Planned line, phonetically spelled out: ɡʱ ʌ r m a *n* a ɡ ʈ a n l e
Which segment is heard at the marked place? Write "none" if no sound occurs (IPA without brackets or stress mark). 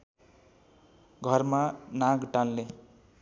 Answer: n